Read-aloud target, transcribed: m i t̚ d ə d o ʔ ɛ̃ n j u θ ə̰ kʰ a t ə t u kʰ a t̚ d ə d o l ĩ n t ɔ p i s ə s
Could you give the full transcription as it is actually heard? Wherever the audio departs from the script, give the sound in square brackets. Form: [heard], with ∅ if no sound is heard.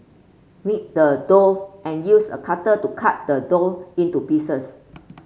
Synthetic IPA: m i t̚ d ə d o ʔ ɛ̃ n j u [s] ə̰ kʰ a t ə t u kʰ a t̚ d ə d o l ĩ n t [u] p i s ə s